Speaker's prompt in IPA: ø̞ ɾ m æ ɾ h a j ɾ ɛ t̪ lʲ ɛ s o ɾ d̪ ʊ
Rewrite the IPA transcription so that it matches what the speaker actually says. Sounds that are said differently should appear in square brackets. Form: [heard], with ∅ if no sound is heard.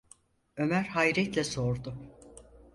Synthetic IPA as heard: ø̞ [∅] m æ ɾ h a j ɾ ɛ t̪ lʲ ɛ s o ɾ d̪ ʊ